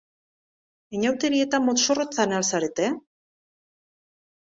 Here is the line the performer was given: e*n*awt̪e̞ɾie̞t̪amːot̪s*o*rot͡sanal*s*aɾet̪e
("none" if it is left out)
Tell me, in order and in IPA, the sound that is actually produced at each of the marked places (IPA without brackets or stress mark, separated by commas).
ɲ, o, s